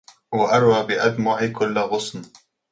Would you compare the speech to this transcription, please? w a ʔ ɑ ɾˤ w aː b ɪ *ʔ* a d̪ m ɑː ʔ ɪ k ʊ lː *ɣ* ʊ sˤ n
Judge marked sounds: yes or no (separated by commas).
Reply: yes, yes